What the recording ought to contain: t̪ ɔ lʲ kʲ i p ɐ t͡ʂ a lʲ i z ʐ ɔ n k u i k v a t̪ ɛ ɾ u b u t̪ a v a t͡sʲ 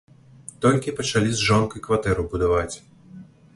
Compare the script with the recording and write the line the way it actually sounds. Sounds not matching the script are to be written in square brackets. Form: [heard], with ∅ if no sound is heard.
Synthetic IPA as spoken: t̪ ɔ lʲ kʲ i p ɐ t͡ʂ a lʲ i z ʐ ɔ n k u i k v a t̪ ɛ ɾ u b u [d̪] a v a t͡sʲ